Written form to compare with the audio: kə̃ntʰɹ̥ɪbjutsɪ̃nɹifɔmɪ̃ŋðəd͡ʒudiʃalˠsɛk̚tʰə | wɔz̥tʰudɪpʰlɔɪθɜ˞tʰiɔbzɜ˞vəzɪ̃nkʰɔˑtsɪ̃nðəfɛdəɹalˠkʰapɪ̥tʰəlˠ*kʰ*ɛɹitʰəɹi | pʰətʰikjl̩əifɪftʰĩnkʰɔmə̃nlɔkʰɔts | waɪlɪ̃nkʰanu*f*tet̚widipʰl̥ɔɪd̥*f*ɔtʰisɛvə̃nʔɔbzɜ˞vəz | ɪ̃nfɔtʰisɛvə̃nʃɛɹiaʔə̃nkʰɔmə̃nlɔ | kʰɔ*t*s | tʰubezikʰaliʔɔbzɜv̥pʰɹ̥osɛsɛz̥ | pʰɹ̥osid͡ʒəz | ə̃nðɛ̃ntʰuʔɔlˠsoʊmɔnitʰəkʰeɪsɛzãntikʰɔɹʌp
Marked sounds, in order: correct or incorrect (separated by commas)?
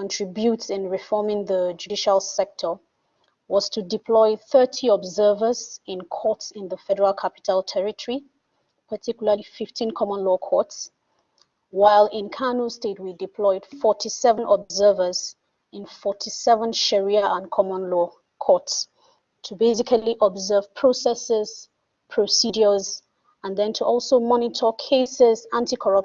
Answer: incorrect, incorrect, correct, correct